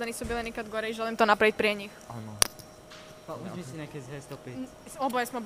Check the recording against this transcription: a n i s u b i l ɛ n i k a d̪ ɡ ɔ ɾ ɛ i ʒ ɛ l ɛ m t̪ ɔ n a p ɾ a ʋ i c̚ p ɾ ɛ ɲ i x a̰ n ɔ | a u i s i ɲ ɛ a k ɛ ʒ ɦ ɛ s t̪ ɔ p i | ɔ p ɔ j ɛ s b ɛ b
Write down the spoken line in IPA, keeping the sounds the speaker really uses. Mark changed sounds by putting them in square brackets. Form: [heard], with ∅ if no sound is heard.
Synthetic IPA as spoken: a n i s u b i l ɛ n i k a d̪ ɡ ɔ ɾ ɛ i ʒ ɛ l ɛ m t̪ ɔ n a p ɾ a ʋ i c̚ p ɾ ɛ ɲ i x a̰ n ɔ | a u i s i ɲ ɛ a k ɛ [z] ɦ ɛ s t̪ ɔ p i | ɔ [b] ɔ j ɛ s [m] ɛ b